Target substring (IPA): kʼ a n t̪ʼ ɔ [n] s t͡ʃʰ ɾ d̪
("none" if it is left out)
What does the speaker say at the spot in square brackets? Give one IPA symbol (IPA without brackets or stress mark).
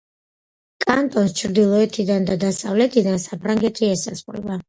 n